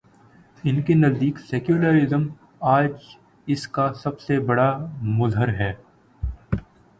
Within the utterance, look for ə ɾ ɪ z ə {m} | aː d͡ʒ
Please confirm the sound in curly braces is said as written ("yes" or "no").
yes